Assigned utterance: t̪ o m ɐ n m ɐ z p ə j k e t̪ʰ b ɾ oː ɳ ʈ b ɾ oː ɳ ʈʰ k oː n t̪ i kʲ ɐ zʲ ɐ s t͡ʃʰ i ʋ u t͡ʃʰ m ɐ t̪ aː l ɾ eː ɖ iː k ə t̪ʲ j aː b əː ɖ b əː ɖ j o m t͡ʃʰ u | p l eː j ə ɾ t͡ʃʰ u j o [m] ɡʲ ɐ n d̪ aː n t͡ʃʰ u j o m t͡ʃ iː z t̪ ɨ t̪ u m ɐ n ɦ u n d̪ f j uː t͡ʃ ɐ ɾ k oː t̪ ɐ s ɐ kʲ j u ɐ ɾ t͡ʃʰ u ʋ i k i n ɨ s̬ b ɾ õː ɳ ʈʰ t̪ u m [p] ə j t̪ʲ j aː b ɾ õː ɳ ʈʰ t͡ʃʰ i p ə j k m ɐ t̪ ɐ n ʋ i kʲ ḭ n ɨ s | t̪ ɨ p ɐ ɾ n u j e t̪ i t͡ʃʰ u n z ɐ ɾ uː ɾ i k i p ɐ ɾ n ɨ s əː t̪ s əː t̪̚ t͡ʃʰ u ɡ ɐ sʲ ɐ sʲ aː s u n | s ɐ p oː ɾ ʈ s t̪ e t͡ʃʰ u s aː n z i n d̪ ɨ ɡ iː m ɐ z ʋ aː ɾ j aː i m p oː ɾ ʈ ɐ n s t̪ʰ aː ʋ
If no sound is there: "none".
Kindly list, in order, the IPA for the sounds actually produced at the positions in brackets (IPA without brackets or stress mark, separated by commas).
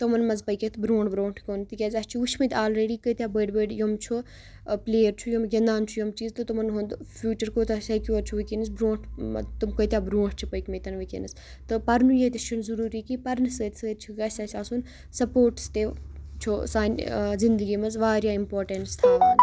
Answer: m, k